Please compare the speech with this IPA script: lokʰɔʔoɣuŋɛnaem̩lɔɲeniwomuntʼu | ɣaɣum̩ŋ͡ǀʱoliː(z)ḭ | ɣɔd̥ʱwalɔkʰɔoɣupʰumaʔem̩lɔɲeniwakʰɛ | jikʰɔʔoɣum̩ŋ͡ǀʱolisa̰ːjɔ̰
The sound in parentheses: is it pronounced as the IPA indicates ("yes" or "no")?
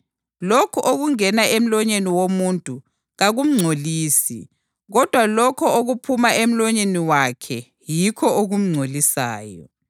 no